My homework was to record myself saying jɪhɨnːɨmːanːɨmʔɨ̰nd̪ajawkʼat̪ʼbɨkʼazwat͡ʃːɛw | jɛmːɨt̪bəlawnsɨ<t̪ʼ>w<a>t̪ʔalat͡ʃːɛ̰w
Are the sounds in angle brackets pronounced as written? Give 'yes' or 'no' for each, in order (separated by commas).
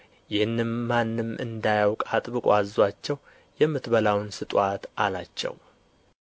yes, yes